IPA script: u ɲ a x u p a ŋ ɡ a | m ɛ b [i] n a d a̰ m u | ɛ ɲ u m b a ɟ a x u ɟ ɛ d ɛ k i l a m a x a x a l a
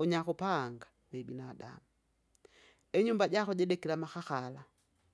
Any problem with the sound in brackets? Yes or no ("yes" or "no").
no